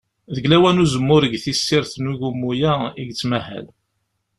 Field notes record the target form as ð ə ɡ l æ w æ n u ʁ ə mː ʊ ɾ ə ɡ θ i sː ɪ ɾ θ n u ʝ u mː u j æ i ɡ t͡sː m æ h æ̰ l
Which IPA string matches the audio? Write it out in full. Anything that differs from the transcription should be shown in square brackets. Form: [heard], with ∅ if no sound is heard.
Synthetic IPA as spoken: ð ə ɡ l æ w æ n u [z] ə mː ʊ ɾ ə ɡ θ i sː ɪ ɾ θ n u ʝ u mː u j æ i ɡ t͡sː m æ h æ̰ l